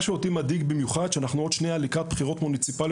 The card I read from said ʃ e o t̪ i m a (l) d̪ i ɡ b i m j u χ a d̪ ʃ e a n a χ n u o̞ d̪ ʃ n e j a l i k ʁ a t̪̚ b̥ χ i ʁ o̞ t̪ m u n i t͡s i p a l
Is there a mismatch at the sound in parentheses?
yes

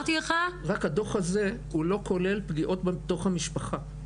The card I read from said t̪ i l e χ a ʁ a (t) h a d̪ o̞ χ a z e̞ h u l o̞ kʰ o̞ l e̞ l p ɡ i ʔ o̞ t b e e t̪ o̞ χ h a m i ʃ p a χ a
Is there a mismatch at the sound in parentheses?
yes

